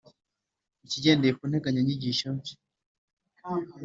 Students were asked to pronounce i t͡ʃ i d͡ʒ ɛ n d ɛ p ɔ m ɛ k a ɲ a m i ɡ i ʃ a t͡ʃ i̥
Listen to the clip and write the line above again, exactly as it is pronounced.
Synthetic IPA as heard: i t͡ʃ i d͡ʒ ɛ n d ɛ p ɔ n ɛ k a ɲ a ɲ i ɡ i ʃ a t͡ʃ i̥